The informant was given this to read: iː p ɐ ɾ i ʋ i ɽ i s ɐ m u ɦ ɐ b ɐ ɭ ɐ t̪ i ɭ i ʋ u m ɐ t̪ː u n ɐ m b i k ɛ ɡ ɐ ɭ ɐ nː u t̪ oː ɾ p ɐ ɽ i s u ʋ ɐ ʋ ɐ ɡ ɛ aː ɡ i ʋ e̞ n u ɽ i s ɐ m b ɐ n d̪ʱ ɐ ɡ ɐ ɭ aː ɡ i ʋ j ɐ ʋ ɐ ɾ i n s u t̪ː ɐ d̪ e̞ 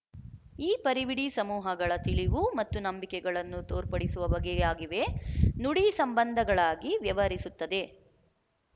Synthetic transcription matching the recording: iː p ɐ ɾ i ʋ i ɽ i s ɐ m uː ɦ ɐ ɡ ɐ ɭ ɐ t̪ i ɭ i ʋ u m ɐ t̪ː u n ɐ m b i k ɛ ɡ ɐ ɭ ɐ nː u t̪ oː ɾ p ɐ ɽ i s u ʋ ɐ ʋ ɐ ɡ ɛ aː ɡ i ʋ e̞ n u ɽ i s ɐ m b ɐ n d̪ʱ ɐ ɡ ɐ ɭ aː ɡ i ʋ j ɐ ʋ ɐ ɾ i s u t̪ː ɐ d̪ e̞